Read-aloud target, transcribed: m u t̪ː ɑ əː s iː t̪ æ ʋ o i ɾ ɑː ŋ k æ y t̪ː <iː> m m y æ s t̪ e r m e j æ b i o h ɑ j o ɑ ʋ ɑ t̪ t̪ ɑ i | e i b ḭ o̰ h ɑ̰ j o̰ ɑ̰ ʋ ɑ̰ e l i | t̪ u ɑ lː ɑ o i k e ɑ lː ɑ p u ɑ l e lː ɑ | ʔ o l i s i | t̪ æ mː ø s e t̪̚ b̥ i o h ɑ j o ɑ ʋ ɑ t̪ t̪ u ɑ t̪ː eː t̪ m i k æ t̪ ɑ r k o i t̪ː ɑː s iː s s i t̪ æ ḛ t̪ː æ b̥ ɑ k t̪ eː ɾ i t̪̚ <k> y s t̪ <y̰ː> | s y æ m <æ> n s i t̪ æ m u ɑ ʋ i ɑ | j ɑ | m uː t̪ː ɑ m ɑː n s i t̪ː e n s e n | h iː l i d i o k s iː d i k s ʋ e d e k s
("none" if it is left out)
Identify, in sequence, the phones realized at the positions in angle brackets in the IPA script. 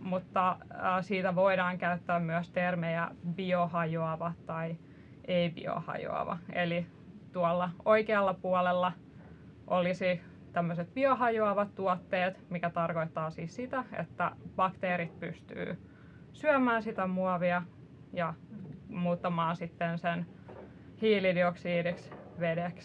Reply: æː, p, y̰ː, æː

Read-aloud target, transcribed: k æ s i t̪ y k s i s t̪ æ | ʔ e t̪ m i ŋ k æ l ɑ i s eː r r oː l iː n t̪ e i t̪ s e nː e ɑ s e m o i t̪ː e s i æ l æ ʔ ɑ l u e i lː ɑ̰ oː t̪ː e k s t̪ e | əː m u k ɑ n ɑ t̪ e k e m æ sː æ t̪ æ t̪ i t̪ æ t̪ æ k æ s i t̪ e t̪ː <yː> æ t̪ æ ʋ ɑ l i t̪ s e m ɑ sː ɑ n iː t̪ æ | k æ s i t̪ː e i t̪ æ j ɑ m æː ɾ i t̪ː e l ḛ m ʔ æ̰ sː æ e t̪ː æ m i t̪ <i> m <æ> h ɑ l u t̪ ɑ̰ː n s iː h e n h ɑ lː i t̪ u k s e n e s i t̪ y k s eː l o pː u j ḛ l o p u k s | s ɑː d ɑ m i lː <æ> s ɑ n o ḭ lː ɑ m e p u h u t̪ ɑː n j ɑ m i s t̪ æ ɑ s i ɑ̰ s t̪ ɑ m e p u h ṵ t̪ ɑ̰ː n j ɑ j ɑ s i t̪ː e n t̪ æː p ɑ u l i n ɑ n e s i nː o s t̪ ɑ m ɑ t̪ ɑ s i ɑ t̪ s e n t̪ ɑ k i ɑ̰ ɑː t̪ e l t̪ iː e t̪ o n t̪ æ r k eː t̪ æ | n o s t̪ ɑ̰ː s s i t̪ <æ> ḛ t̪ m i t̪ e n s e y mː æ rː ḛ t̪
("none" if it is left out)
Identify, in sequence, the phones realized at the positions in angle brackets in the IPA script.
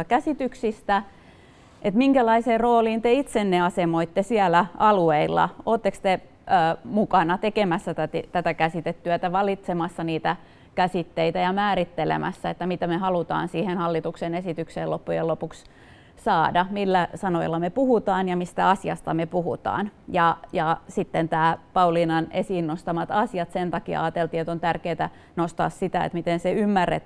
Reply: y, æ, e, æ, æ

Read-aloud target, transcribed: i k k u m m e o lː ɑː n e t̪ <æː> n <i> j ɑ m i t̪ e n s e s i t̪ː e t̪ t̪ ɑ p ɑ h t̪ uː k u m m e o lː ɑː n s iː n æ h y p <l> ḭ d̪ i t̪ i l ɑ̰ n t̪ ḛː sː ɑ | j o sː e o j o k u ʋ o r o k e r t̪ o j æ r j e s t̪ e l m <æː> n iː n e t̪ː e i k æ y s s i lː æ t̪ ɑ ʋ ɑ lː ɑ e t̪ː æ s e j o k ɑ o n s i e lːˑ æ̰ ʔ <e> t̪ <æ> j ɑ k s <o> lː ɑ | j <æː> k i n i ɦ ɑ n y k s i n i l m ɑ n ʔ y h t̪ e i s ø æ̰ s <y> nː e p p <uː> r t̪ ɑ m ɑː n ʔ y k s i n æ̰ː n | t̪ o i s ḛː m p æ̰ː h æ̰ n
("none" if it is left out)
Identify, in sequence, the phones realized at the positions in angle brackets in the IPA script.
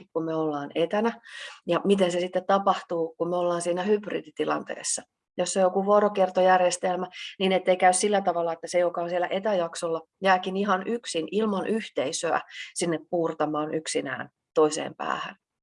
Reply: æ, æ, r, æ, e, æ, o, æː, i, uː

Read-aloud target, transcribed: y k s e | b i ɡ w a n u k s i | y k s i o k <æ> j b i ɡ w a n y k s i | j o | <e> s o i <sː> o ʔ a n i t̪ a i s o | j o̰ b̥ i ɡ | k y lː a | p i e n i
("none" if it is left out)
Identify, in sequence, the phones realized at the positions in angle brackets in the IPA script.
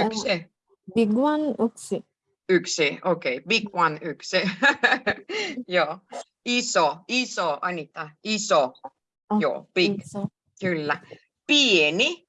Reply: e, i, s

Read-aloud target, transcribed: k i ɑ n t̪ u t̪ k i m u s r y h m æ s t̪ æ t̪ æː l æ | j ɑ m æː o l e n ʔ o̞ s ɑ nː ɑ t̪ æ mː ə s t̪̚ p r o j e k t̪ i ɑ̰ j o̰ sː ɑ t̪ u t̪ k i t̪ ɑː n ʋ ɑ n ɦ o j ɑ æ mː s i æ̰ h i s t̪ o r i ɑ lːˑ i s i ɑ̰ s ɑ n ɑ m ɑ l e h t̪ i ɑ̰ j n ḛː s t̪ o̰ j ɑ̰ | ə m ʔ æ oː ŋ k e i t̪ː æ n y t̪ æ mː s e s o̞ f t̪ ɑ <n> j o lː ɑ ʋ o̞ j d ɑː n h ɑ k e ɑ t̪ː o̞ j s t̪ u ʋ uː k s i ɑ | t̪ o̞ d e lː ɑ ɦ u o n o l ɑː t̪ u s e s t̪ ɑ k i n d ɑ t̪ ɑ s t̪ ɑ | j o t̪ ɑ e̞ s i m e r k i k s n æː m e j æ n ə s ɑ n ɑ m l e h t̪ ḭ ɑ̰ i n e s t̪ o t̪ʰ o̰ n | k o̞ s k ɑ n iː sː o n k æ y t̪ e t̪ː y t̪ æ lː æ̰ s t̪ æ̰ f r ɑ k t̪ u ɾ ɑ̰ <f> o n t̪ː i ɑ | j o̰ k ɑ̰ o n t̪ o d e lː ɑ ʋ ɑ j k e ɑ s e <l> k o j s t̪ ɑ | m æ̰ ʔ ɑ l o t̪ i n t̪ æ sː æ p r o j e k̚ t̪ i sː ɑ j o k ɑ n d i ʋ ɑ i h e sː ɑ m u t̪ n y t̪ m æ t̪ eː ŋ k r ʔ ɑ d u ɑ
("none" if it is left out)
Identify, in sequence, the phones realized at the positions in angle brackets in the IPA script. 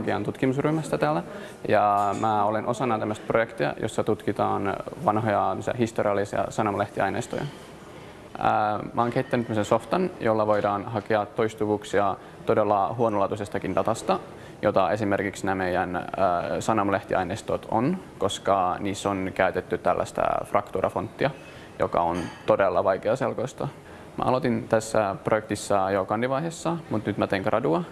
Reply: n, f, l

